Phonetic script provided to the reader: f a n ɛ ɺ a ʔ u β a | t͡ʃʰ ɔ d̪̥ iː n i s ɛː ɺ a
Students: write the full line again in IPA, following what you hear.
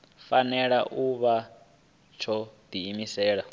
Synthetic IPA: f a n ɛ ɺ a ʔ u β a | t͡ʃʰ ɔ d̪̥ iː m i s ɛː ɺ a